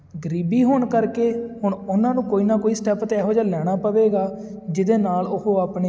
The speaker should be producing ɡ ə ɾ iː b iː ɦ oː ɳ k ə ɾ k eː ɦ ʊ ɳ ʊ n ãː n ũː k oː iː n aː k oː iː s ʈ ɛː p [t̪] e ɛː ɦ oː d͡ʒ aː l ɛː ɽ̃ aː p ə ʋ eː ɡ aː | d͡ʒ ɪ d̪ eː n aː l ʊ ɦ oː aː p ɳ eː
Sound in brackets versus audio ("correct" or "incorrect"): correct